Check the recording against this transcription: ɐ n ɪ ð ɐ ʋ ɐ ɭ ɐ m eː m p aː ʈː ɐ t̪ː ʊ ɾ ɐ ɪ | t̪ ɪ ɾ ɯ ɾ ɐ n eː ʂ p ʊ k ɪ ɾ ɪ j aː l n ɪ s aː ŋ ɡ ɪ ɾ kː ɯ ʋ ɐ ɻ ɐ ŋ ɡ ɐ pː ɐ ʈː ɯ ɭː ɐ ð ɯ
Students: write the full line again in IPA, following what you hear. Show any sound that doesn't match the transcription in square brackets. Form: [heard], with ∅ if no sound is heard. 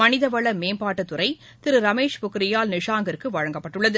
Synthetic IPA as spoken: ɐ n ɪ ð ɐ ʋ ɐ ɭ ɐ m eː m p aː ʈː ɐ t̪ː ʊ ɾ ɐ ɪ | t̪ ɪ ɾ ɯ ɾ ɐ [m] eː ʂ p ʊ k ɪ ɾ ɪ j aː l n ɪ [ʂ] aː ŋ ɡ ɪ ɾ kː ɯ ʋ ɐ ɻ ɐ ŋ ɡ ɐ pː ɐ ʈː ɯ ɭː ɐ ð ɯ